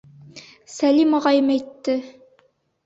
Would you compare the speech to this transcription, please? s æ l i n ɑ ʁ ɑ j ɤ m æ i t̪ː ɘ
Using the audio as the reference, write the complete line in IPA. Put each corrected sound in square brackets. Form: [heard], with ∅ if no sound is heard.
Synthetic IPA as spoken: s æ l i [m] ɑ ʁ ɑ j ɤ m æ [j] t̪ː ɘ